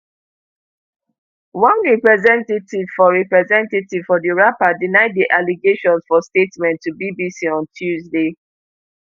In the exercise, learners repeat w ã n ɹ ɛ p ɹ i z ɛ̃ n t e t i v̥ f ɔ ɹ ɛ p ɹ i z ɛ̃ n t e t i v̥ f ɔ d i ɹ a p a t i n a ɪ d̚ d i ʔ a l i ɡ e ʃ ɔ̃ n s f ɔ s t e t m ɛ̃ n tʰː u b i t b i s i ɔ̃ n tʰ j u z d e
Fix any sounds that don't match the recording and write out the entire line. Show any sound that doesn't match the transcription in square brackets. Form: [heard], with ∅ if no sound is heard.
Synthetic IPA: w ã n ɹ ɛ p ɹ [ɛ] z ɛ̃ n t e t i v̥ f ɔ ɹ ɛ p ɹ [ɛ] z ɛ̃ n t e t i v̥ f ɔ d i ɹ a p a [d] i n a ɪ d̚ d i ʔ a l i ɡ e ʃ ɔ̃ n s f ɔ s t e t m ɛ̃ n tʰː u b i [∅] b i s i ɔ̃ n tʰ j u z d e